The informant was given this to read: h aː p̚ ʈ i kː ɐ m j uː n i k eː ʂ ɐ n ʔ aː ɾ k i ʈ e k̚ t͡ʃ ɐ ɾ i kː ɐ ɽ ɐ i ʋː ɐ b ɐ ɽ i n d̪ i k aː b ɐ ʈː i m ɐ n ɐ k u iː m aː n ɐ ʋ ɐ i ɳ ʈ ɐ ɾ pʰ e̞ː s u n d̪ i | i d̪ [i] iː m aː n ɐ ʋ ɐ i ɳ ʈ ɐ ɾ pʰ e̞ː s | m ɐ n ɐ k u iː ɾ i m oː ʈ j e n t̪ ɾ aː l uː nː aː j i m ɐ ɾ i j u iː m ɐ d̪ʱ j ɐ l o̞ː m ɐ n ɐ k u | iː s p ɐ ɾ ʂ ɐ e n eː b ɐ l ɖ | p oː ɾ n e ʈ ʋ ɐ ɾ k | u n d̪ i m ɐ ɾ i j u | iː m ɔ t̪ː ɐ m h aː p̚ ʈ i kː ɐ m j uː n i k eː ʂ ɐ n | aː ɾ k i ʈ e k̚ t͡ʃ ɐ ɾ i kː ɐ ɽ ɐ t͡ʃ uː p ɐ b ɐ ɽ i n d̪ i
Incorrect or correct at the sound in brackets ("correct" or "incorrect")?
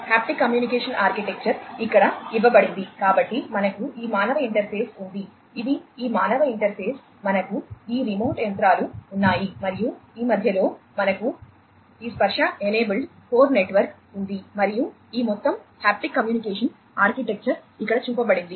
correct